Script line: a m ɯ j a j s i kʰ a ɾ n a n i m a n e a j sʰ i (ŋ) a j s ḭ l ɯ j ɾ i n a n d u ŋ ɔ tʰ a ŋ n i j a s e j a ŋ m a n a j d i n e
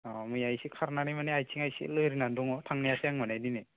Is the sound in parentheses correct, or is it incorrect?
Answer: correct